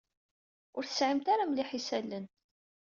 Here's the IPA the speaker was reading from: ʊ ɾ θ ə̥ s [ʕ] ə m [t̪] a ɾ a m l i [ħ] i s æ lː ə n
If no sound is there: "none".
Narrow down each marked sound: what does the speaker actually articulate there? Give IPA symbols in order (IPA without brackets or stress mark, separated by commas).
ʕ, t̪, ħ